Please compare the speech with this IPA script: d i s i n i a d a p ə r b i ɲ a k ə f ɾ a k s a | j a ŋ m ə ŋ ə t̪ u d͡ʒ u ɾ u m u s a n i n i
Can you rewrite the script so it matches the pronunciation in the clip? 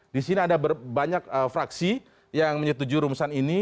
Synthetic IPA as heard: d i s i n i a d a b ə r b a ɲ a k ə f ɾ a k s i | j a ŋ m ə ɲ ə t̪ u d͡ʒ u ɾ u m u s a n i n i